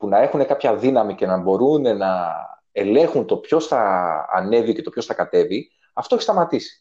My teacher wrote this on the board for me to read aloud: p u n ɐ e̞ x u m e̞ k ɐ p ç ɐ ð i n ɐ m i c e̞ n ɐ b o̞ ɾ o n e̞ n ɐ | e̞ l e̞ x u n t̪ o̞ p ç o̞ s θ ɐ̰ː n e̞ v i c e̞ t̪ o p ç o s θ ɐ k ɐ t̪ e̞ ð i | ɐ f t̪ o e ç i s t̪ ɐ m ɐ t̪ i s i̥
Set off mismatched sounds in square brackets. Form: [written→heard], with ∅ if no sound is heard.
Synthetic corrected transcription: p u n ɐ e̞ x u [m→n] e̞ k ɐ p ç ɐ ð i n ɐ m i c e̞ n ɐ b o̞ ɾ [o→u] n e̞ n ɐ | e̞ l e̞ x u n t̪ o̞ p ç o̞ s θ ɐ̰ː n e̞ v i c e̞ t̪ o p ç o s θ ɐ k ɐ t̪ e̞ [ð→v] i | ɐ f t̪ o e ç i s t̪ ɐ m ɐ t̪ i s i̥